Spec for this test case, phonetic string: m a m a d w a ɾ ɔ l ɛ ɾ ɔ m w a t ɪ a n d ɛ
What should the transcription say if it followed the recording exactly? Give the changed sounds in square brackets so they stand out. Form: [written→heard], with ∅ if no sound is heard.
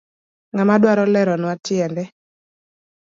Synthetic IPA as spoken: [m→ŋ] a m a d w a ɾ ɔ l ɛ ɾ ɔ [m→n] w a t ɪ [a→ɛ] n d ɛ